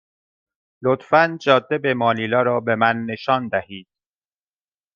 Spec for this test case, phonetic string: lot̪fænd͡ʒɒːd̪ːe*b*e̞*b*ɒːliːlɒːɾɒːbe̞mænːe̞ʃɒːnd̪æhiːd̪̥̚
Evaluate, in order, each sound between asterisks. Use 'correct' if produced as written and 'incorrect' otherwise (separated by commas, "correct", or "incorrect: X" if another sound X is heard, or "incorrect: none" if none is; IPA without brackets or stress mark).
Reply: correct, incorrect: m